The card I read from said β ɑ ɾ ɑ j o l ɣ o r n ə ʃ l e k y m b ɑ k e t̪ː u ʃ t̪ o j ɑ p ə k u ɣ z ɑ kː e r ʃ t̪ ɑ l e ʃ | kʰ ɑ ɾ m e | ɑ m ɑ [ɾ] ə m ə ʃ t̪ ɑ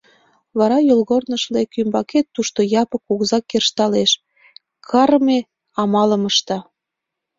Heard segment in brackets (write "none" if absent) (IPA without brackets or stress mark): l